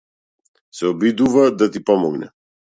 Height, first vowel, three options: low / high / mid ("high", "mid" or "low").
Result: mid